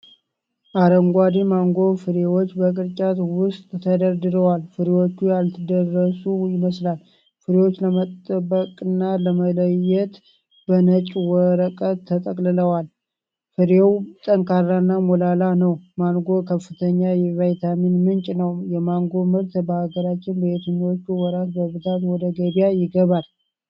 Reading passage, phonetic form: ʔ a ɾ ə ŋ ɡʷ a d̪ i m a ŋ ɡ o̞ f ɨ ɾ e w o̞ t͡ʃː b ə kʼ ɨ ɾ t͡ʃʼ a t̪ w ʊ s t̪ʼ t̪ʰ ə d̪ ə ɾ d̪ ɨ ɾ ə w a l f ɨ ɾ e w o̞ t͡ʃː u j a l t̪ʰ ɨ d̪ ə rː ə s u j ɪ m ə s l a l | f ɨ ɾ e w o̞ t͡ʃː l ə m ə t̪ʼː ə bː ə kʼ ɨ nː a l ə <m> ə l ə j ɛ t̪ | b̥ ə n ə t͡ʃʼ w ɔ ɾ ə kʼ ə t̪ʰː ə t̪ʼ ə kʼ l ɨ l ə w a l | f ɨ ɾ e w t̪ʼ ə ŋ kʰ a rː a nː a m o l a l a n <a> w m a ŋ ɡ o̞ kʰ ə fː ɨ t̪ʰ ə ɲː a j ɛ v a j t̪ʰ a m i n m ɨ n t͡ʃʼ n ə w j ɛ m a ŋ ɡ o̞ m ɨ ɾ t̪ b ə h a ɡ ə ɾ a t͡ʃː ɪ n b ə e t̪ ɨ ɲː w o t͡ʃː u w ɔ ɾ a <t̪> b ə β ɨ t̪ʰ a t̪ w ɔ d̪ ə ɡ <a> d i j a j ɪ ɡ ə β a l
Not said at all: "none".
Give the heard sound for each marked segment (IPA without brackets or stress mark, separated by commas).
m, ə, t̪, ə